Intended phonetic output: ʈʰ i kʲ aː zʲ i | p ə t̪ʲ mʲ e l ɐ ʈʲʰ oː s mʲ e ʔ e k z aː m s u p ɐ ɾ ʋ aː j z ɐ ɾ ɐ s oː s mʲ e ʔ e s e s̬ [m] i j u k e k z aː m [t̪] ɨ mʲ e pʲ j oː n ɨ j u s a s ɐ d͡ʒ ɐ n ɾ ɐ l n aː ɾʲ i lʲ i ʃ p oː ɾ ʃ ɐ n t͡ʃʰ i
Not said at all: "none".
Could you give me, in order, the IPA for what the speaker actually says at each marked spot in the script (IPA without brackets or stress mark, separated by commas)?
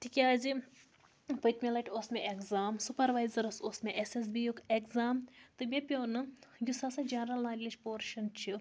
b, t̪